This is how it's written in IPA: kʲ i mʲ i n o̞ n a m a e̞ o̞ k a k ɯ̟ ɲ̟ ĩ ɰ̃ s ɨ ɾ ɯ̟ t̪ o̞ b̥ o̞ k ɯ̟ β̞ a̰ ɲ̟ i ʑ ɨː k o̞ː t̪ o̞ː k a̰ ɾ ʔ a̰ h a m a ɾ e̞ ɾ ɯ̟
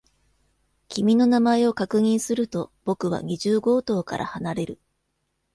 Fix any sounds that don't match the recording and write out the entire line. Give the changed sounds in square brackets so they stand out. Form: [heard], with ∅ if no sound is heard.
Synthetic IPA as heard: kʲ i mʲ i n o̞ n a m a e̞ o̞ k a k ɯ̟ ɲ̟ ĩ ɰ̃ s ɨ ɾ ɯ̟ t̪ o̞ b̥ o̞ k ɯ̟ β̞ a̰ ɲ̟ i ʑ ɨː [ɡ] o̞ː t̪ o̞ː k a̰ ɾ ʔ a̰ h a [n] a ɾ e̞ ɾ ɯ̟